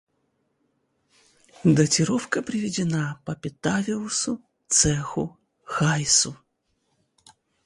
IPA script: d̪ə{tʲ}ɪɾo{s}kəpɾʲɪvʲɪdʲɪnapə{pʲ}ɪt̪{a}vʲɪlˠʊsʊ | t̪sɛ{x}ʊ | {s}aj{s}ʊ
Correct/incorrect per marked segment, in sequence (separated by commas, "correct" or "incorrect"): correct, incorrect, correct, correct, correct, incorrect, correct